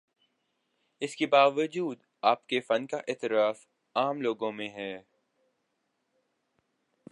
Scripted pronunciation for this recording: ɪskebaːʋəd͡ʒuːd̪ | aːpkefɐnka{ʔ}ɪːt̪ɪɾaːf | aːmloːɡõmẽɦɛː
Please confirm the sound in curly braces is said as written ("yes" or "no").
yes